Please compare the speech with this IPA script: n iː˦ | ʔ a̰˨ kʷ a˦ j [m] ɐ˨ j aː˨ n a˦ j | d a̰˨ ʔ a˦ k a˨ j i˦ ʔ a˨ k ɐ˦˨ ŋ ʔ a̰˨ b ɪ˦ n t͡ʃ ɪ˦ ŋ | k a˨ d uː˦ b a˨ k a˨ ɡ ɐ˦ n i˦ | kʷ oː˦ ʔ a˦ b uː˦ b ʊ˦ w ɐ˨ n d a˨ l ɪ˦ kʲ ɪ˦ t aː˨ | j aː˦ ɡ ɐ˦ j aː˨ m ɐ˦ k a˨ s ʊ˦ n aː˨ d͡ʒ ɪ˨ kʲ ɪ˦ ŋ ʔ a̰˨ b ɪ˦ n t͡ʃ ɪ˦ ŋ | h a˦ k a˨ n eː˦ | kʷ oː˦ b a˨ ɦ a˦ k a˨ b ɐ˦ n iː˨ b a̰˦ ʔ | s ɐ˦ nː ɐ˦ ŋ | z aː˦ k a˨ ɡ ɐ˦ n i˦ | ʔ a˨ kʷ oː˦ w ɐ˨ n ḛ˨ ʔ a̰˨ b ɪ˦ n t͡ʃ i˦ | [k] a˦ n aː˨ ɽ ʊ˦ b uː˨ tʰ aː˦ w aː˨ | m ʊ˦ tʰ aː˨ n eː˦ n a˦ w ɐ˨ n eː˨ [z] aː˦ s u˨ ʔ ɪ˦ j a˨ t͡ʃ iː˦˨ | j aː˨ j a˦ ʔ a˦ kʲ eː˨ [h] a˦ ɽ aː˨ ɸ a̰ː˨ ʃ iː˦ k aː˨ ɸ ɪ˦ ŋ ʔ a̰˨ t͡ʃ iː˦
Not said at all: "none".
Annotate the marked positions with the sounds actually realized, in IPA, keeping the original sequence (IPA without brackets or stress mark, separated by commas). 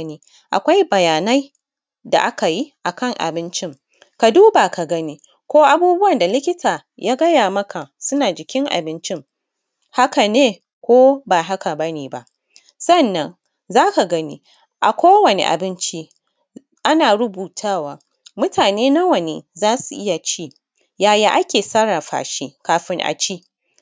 b, ʔ, z, s